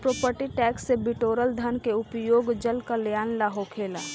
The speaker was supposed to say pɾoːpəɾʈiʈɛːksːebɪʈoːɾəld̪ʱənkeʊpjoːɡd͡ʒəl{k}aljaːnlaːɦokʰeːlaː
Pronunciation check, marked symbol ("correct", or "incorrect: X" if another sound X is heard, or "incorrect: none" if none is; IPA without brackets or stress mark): correct